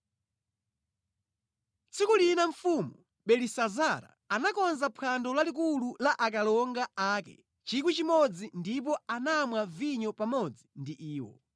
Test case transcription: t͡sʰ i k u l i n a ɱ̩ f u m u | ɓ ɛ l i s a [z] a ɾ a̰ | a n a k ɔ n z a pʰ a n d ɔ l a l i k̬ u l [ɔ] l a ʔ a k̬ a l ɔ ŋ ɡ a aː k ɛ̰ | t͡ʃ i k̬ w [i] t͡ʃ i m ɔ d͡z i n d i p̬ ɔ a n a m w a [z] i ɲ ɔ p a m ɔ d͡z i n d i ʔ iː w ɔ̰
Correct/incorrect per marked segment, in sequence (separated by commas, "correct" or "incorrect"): correct, incorrect, correct, incorrect